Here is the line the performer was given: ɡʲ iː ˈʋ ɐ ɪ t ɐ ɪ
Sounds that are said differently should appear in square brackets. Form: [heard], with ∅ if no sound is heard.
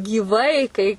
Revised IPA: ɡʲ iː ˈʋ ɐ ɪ [k] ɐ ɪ